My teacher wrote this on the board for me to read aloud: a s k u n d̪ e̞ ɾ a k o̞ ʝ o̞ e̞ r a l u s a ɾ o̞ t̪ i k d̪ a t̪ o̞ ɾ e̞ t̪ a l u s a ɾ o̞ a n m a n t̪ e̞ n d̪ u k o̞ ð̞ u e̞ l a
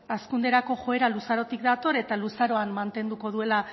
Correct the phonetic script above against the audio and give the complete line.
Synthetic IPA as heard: a s k u n d̪ e̞ ɾ a k o̞ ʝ o̞ e̞ ɾ a l u s a ɾ o̞ t̪ i k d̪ a t̪ o̞ ɾ e̞ t̪ a l u s a ɾ o̞ a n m a n t̪ e̞ n d̪ u k o̞ ð̞ u e̞ l a